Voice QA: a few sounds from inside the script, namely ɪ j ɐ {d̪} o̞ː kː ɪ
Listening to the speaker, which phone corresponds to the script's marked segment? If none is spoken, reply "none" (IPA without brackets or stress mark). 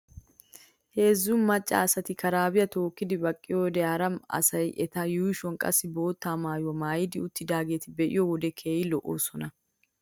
t̪